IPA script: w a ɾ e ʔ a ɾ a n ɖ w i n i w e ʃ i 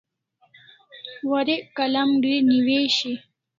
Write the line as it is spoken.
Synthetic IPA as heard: w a ɾ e k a l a m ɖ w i n i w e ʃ i

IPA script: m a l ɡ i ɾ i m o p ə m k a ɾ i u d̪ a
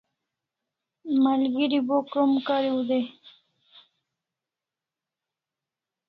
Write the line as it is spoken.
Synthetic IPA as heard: m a l ɡ i ɾ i b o k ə m k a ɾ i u d̪ e

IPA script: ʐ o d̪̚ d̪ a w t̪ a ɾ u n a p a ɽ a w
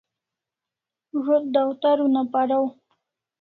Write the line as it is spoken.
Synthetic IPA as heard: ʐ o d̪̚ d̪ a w t̪ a ɾ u n a p a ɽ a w

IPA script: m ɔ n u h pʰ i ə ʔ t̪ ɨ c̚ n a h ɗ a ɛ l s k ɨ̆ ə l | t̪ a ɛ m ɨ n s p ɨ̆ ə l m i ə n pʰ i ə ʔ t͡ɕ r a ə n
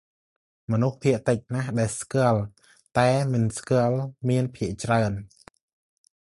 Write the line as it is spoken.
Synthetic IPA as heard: m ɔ n u h pʰ i ə ʔ t̪ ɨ c̚ n a h ɗ a ɛ l s k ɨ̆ ə l | t̪ a ɛ m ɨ n s k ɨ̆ ə l m i ə n pʰ i ə ʔ t͡ɕ r a ə n

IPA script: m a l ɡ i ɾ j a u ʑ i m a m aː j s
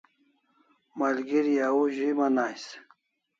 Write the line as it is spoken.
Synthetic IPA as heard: m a l ɡ i ɾ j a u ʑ i m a n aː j s

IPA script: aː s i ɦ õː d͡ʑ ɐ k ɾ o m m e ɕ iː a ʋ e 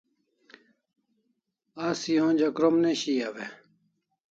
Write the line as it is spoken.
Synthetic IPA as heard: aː s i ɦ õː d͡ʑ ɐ k ɾ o m n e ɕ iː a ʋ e

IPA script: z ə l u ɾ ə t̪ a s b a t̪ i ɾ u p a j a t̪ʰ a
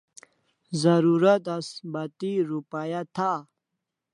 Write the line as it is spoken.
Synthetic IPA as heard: z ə ɾ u ɾ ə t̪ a s b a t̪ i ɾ u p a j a t̪ʰ a

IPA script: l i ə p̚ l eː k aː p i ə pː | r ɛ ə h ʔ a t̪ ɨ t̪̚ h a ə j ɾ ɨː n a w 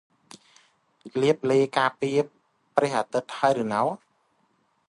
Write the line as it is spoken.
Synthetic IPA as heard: l i ə p̚ l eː k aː p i ə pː | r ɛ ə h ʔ a t̪ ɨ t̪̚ h a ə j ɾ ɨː n a w

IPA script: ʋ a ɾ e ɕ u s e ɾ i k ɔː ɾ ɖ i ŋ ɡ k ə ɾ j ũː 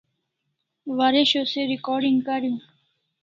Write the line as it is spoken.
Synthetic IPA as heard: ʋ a ɾ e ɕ o s e ɾ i k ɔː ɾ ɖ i ŋ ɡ k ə ɾ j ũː

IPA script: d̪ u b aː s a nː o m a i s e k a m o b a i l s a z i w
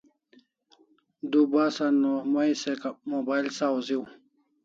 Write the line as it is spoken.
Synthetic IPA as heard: d̪ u b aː s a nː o m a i s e k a m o b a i l s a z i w

